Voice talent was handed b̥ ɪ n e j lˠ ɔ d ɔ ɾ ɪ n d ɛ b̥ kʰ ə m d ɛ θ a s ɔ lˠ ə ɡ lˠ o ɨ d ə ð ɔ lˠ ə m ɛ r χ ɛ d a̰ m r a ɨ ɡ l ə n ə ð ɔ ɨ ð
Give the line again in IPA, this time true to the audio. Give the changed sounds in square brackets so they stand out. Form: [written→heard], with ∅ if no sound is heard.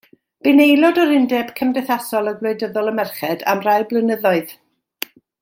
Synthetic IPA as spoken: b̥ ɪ n e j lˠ ɔ d ɔ ɾ ɪ n d ɛ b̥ kʰ ə m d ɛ θ a s ɔ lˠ ə ɡ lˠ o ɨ d ə ð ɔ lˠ ə m ɛ r χ ɛ d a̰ m r a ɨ [ɡ→b] l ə n ə ð ɔ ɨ ð